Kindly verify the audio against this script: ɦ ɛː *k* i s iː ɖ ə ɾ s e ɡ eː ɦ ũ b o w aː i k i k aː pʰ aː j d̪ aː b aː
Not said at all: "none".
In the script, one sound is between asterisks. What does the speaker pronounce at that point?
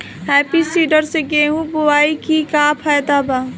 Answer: p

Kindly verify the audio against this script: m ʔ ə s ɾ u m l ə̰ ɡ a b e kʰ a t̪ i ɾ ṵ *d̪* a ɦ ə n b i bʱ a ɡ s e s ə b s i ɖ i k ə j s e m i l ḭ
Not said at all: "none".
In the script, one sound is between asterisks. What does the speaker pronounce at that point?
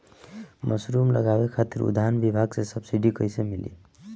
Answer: d̪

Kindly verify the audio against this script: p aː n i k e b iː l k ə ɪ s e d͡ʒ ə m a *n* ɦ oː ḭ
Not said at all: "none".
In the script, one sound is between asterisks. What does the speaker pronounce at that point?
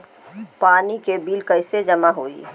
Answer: none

